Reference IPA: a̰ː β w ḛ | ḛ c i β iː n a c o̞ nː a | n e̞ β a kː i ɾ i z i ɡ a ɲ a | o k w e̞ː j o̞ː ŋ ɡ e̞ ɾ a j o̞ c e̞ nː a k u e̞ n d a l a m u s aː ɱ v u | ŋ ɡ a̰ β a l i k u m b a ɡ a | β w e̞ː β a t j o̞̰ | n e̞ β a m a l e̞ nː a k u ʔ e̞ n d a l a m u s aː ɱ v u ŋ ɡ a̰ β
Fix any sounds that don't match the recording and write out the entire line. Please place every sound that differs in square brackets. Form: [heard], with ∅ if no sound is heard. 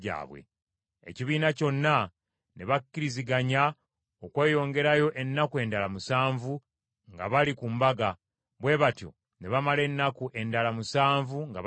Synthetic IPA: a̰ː β w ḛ | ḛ c i β iː n a c o̞ nː a | n e̞ β a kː i ɾ i z i ɡ a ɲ a | o k w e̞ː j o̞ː ŋ ɡ e̞ ɾ a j o̞ [ʔ] e̞ nː a k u e̞ n d a l a m u s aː ɱ v u | ŋ ɡ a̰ β a l i k u m b a ɡ a | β w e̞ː β a t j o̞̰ | n e̞ β a m a l e̞ nː a k u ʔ e̞ n d a l a m u s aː ɱ v u ŋ ɡ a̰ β